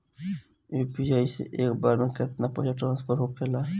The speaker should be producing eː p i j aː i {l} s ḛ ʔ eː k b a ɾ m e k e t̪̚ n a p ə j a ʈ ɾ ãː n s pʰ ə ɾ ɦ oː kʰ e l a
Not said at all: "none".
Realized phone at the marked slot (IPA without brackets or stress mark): none